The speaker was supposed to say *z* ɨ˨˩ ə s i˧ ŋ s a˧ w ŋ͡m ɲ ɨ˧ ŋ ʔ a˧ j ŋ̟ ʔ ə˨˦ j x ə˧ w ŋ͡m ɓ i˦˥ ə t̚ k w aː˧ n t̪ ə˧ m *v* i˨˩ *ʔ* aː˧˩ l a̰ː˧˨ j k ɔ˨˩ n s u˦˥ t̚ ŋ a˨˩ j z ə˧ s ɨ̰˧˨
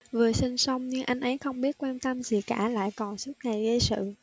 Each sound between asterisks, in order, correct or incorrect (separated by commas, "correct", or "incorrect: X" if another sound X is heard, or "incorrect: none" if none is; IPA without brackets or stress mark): incorrect: v, incorrect: z, incorrect: k